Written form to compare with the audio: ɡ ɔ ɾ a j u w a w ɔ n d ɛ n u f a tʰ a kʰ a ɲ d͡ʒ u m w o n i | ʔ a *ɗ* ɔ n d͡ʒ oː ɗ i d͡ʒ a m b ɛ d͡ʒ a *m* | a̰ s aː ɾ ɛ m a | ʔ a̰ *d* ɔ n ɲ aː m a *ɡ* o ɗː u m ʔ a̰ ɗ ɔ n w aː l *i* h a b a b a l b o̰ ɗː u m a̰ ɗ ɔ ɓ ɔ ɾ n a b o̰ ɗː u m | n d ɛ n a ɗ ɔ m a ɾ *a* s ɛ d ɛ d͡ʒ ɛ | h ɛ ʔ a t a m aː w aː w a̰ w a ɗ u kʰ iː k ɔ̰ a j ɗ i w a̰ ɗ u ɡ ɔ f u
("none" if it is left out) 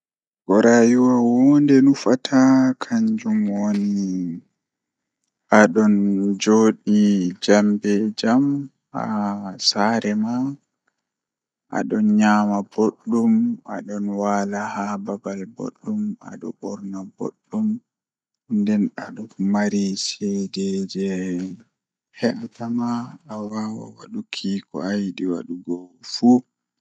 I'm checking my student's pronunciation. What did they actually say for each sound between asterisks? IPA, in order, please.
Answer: ɗ, m, ɗ, b, a, i

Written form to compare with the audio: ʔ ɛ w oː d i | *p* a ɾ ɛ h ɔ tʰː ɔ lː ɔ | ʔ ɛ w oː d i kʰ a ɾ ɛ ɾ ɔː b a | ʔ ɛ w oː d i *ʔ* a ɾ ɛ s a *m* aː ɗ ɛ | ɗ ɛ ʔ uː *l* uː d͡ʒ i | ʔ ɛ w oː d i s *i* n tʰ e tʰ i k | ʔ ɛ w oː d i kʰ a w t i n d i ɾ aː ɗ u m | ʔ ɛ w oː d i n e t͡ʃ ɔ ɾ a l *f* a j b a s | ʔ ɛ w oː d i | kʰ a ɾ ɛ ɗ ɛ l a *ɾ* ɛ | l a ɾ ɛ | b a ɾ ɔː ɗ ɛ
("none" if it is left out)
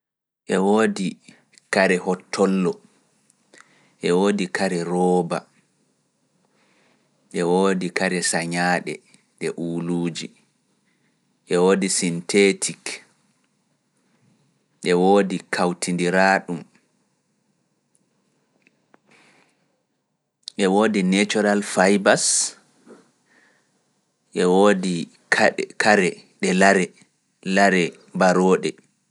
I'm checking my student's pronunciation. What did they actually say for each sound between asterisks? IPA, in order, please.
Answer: k, k, ɲ, l, i, f, ɾ

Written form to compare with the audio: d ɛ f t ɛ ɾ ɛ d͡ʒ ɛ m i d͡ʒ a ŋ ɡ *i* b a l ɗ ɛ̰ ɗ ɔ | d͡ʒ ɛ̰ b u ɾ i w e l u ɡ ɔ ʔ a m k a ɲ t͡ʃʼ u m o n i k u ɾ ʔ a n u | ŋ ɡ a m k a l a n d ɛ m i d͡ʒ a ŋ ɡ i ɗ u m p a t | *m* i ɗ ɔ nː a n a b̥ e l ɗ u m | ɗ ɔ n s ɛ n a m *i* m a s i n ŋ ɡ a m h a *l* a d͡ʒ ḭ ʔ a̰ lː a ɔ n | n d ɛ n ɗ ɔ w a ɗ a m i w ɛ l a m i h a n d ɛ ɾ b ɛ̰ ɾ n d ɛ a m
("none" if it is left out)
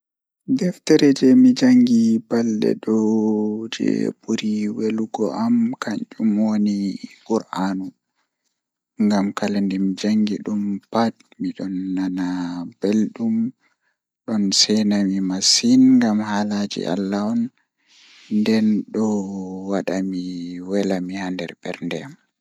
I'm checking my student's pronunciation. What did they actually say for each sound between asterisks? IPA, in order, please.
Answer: i, m, i, l

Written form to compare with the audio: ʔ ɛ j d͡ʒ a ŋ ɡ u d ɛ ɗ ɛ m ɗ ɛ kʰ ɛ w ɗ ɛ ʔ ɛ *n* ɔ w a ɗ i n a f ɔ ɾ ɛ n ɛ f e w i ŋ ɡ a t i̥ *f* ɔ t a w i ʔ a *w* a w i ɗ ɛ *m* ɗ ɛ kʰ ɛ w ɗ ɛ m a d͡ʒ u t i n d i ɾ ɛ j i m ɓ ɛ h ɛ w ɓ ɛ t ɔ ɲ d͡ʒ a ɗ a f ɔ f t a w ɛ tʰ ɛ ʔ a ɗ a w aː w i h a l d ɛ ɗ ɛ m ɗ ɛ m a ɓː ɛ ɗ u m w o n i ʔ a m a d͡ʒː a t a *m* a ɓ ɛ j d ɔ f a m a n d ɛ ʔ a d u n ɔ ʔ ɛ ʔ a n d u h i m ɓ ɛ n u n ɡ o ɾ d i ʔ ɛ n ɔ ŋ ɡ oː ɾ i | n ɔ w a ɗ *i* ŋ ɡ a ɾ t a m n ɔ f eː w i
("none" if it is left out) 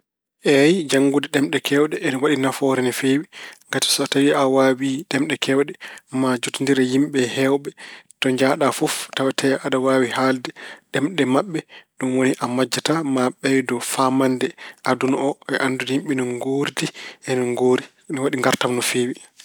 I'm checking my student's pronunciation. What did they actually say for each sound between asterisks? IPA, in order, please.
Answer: n, s, w, m, m, i

